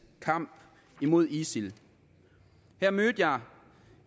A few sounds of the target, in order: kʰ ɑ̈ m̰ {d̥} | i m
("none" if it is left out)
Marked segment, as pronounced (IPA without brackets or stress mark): b̥